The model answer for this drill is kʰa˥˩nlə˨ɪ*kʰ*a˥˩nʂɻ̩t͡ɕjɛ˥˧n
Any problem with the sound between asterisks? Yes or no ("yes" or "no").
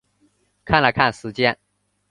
no